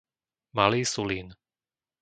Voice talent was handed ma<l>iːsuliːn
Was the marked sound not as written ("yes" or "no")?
no